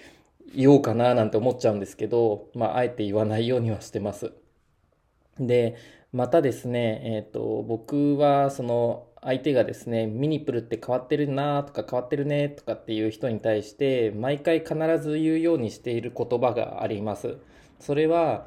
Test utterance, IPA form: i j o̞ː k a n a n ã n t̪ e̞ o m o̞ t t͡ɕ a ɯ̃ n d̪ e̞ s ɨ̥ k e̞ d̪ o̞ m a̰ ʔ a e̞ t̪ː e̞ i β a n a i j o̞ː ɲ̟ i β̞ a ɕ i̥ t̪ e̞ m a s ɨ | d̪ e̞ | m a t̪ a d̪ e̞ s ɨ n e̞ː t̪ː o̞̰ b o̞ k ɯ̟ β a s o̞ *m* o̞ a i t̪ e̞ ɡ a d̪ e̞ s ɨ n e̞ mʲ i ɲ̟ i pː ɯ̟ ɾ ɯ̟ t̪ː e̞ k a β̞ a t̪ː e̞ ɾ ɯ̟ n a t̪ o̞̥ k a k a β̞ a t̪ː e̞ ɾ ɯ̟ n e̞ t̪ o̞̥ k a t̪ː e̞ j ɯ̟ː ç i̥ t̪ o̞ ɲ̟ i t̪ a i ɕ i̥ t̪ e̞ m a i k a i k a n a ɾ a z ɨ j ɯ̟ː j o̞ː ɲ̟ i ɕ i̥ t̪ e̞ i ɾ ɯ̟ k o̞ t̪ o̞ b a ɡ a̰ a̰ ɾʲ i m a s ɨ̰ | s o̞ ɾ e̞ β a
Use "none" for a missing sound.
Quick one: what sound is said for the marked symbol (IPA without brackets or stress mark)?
n